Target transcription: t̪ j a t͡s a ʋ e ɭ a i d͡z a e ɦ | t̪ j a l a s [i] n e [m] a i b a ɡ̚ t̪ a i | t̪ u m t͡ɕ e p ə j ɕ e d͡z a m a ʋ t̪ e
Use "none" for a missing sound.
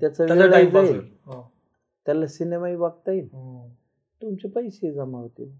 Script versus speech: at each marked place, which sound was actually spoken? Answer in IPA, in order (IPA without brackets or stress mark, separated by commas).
i, m